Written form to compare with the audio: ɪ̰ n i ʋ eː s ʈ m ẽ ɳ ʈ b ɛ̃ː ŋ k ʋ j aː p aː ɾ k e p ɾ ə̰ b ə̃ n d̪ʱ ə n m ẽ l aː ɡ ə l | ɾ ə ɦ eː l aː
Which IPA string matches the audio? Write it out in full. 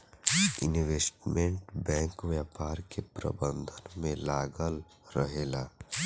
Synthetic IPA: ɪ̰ n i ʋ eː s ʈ m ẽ ɳ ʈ b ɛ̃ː ŋ k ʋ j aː p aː ɾ k e p ɾ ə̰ b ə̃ n d̪ʱ ə n m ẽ l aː ɡ ə l | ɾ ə ɦ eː l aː